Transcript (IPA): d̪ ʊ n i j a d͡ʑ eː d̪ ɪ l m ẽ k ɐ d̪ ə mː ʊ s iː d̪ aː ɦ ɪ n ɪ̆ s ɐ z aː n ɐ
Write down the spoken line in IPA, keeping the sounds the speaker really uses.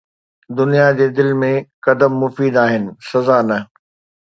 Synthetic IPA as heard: d̪ ʊ n i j a d͡ʑ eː d̪ ɪ l m ẽ k ɐ d̪ ə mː ʊ f iː d̪ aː ɦ ɪ n ɪ̆ s ɐ z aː n ɐ